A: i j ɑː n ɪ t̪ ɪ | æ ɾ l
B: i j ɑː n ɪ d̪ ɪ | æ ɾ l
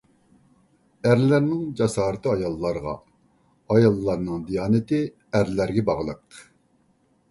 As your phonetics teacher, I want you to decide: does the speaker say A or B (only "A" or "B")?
A